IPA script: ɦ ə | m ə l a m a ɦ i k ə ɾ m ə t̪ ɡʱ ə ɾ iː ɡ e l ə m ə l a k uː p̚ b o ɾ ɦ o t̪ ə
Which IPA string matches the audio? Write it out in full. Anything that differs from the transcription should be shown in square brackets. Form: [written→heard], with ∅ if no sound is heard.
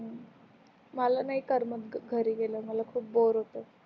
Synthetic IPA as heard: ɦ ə | m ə l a [m→n] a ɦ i k ə ɾ m ə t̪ ɡʱ ə ɾ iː ɡ e l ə m ə l a [k→kʰ] uː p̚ b o ɾ ɦ o t̪ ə

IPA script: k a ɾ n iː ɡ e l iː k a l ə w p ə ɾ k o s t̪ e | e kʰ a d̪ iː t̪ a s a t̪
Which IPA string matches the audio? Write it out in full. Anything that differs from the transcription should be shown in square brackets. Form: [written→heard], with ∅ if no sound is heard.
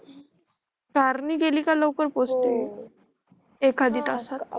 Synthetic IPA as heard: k a ɾ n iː ɡ e l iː k a l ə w [p→k] ə ɾ [k→p] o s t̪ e | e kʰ a d̪ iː t̪ a s a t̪

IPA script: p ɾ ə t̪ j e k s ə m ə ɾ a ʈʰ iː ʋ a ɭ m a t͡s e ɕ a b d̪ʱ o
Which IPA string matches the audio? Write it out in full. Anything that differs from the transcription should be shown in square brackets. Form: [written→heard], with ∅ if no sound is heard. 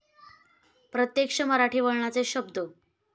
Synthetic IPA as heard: p ɾ ə t̪ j e k [s→ʂ] ə m ə ɾ a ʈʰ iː ʋ [a→ə] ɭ [m→ɳ] a t͡s e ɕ [a→ə] b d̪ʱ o

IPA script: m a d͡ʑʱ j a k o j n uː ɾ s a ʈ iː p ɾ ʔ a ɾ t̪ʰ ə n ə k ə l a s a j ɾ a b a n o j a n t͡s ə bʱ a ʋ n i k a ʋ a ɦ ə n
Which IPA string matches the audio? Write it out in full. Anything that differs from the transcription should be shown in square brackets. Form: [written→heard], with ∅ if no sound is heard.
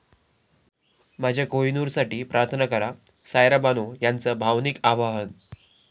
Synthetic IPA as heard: m a d͡ʑʱ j a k o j n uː ɾ s a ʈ iː p ɾ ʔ a ɾ t̪ʰ ə n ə k ə [l→ɾ] a s a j ɾ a b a n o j a n t͡s ə bʱ a ʋ n i k a ʋ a ɦ ə n

